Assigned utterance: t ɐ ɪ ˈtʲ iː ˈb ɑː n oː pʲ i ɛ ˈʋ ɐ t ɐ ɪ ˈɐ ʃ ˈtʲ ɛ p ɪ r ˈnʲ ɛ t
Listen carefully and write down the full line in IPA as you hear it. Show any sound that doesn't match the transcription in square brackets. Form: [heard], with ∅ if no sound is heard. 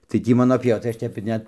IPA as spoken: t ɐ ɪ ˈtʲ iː [ˈm] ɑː n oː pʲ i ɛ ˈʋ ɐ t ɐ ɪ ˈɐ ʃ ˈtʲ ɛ p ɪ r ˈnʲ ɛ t